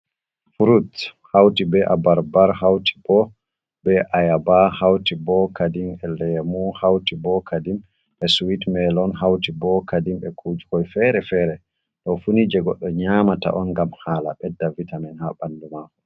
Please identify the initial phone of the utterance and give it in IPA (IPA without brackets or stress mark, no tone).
f